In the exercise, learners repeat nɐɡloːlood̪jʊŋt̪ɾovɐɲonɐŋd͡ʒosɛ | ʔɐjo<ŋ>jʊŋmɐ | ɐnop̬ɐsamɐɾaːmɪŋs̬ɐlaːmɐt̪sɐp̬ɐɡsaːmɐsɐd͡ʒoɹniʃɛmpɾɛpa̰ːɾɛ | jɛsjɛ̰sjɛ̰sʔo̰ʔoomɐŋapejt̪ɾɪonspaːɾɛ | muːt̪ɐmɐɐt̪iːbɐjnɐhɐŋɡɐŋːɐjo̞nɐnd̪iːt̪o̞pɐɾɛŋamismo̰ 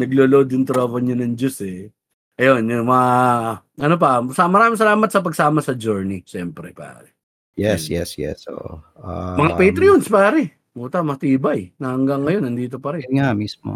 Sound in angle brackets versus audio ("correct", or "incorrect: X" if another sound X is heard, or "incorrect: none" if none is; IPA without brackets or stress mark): incorrect: n